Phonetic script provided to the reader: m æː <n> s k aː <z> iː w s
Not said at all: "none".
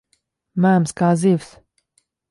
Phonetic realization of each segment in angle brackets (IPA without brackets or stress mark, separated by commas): m, z